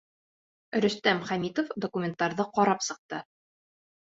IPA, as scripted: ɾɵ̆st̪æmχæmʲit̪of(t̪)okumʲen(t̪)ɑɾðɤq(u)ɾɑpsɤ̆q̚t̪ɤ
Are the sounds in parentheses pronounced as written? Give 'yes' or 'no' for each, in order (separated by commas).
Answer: no, yes, no